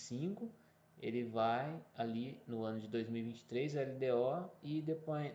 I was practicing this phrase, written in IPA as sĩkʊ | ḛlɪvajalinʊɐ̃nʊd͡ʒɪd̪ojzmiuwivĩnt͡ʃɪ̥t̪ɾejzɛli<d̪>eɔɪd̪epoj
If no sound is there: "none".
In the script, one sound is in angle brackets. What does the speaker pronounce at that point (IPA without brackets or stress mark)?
d̪